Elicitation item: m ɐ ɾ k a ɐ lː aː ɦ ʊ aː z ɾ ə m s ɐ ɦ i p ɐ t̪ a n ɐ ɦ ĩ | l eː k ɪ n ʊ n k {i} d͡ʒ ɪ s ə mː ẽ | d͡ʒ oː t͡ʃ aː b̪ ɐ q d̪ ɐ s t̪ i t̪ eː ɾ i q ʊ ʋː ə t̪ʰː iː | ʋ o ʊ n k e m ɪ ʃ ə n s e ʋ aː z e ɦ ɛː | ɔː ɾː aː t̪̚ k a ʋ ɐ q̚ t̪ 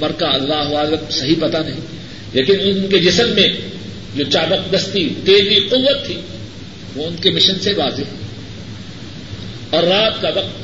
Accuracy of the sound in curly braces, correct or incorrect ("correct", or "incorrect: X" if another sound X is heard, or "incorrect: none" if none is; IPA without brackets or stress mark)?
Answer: incorrect: e